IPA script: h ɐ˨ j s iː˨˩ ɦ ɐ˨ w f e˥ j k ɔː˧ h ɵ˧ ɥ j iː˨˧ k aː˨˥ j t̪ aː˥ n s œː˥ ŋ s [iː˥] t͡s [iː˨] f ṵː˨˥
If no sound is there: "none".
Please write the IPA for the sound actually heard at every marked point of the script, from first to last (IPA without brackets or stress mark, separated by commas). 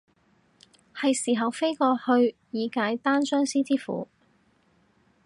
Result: iː˥, iː˥